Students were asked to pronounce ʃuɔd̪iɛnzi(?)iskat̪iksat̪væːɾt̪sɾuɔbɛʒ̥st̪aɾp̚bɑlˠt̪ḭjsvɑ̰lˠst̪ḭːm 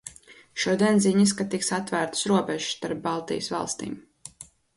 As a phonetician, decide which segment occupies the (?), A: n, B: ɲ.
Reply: B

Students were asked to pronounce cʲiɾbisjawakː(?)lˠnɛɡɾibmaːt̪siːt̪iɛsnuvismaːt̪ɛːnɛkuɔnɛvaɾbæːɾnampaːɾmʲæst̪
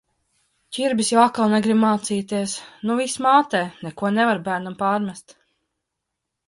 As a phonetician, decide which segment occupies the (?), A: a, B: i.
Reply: A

